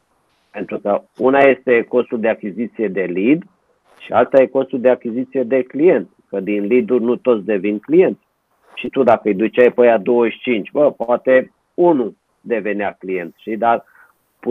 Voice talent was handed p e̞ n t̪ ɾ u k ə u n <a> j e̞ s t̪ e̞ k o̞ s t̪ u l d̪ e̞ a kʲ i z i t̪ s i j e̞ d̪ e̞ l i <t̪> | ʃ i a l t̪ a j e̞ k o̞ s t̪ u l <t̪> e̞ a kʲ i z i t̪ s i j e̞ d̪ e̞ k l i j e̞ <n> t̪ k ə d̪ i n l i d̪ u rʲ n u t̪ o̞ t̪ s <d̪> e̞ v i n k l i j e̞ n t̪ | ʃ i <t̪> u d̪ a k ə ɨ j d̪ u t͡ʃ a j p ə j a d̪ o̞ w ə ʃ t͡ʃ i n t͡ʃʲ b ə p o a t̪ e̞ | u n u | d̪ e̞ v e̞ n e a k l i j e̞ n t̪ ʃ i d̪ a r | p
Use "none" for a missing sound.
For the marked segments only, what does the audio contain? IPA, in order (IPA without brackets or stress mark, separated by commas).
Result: a, d̪, d̪, n, d̪, t̪